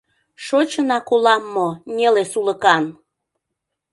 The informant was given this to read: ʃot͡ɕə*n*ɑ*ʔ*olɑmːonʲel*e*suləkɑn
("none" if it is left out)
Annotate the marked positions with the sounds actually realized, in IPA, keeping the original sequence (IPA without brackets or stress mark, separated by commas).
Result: n, k, e